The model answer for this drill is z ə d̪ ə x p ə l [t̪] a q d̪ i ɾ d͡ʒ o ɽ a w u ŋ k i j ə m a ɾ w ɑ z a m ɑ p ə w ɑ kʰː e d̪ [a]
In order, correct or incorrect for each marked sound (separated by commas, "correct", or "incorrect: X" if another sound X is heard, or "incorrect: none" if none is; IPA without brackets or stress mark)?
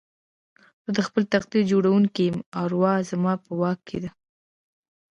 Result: correct, correct